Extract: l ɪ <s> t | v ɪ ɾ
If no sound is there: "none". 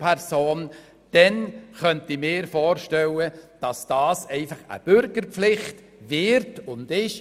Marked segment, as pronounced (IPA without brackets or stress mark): χ